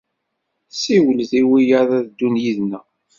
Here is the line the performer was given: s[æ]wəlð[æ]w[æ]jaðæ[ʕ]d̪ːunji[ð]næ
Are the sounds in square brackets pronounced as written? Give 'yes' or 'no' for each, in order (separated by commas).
no, no, no, no, yes